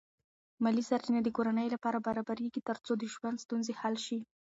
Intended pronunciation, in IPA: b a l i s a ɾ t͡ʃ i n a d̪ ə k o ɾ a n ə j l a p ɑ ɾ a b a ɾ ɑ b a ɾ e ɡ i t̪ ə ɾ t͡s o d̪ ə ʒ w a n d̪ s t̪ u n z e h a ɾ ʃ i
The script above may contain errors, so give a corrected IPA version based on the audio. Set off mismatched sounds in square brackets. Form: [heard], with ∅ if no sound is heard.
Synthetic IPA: [m] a l i s a ɾ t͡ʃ i n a d̪ ə k o ɾ a n ə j l a p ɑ ɾ a b a ɾ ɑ b a ɾ e ɡ i t̪ ə ɾ t͡s o d̪ ə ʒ w a n d̪ s t̪ u n z e h a [l] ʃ i